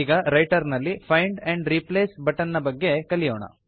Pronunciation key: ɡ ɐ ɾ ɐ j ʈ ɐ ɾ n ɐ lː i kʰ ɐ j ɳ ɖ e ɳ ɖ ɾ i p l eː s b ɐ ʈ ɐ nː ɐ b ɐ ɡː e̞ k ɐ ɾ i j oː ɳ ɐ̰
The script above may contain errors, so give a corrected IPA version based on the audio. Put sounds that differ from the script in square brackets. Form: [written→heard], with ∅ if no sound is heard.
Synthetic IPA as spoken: ɡ ɐ ɾ ɐ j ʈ ɐ ɾ n ɐ lː i [kʰ→pʰ] ɐ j ɳ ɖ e ɳ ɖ ɾ i p l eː s b ɐ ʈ ɐ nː ɐ b ɐ ɡː e̞ k ɐ [ɾ→l] i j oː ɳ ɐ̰